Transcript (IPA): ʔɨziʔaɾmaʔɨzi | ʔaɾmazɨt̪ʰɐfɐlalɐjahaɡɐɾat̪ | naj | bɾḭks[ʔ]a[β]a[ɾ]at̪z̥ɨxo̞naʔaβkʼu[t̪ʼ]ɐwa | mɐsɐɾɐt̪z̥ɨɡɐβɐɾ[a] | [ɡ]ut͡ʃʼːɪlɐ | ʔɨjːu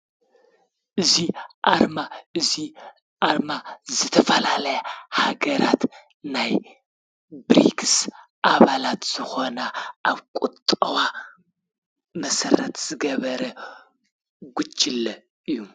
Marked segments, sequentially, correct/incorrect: correct, correct, incorrect: l, correct, incorrect: ɐ, correct

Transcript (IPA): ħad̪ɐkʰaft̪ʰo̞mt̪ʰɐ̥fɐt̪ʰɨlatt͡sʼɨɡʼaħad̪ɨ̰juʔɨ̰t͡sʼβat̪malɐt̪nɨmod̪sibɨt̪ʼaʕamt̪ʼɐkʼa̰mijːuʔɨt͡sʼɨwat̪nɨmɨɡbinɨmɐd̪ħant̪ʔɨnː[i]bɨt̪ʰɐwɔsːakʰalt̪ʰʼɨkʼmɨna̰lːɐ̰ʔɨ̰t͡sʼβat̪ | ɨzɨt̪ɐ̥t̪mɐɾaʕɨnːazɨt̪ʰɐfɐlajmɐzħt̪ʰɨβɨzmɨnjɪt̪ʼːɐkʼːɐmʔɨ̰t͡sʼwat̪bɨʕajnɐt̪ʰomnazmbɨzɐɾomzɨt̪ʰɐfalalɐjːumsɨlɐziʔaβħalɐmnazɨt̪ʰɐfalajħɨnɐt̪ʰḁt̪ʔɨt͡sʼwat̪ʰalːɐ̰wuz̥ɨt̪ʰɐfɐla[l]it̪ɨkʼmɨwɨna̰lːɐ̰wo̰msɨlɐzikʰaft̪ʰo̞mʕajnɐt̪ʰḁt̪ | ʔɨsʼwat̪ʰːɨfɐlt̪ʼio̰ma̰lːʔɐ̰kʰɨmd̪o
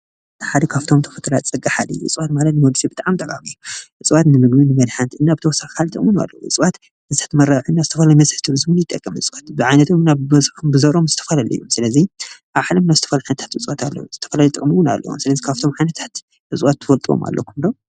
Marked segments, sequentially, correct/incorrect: incorrect: a, correct

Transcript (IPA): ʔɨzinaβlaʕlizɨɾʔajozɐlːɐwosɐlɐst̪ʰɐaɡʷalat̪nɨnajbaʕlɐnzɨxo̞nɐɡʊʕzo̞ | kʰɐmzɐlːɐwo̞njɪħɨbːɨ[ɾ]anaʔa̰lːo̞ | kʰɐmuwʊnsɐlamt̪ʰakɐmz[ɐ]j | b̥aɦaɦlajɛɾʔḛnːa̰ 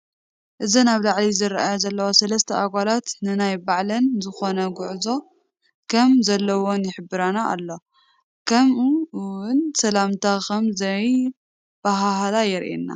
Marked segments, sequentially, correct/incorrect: correct, correct

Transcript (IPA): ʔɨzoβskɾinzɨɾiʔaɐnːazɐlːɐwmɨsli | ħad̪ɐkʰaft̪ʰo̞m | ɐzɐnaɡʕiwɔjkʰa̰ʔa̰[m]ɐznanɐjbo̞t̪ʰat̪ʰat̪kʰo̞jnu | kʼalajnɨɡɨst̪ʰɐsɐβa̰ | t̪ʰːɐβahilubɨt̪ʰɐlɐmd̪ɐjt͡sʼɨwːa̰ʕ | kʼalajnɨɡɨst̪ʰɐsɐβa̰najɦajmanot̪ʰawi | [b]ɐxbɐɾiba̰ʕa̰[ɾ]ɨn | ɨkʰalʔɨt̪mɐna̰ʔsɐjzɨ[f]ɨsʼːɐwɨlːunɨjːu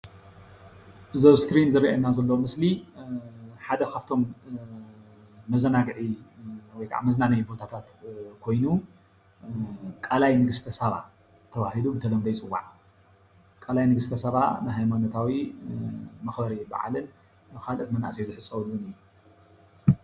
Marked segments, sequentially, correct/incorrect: correct, incorrect: m, incorrect: l, incorrect: ħ

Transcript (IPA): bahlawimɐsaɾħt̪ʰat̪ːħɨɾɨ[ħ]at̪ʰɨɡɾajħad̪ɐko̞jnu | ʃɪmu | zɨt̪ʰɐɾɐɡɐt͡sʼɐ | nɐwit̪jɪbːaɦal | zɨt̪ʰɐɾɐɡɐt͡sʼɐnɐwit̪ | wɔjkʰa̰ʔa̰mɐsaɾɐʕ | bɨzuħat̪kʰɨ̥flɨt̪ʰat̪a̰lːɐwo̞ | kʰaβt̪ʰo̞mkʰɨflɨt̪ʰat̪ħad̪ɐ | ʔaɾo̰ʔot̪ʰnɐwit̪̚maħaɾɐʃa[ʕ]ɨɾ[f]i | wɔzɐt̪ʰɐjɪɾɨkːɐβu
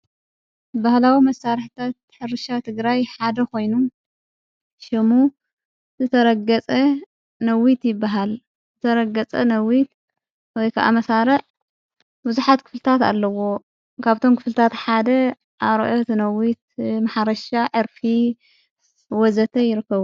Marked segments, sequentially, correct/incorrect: incorrect: ʃ, correct, correct

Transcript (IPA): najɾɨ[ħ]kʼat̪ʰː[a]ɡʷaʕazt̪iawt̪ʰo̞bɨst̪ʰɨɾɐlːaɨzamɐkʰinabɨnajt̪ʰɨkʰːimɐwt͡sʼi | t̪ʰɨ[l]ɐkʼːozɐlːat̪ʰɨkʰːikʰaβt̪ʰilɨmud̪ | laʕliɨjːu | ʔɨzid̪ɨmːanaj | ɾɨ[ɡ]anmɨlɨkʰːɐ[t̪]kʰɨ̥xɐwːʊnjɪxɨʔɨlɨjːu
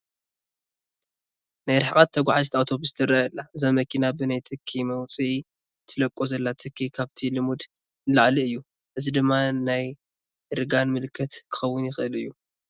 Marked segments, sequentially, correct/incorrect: correct, incorrect: ɐ, correct, correct, correct

